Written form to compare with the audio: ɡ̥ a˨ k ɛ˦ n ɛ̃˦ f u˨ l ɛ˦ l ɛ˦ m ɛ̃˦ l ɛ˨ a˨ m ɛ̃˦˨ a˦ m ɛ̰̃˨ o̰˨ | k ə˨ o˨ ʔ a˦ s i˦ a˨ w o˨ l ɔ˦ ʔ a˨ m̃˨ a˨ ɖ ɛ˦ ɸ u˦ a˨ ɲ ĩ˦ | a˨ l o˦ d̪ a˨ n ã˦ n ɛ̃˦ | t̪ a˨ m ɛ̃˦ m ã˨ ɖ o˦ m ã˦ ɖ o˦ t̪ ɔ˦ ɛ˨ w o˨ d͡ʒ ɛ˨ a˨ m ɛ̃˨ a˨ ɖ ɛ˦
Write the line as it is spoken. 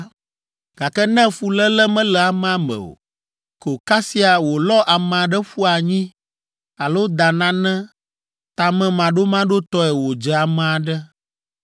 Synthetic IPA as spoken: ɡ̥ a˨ k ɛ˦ n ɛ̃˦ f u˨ l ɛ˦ l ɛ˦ m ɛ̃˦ l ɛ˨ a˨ m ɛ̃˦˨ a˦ m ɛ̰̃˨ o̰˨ | k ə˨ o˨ k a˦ s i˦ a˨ w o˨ l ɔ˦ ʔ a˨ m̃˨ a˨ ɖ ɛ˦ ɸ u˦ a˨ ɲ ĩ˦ | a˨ l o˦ d̪ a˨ n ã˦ n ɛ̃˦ | t̪ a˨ m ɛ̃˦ m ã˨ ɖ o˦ m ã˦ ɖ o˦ t̪ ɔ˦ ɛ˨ w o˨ d͡ʒ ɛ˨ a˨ m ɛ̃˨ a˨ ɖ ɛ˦